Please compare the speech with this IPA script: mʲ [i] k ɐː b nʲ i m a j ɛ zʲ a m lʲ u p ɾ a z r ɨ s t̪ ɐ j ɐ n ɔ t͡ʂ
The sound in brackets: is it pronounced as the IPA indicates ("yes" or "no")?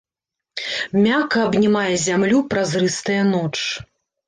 no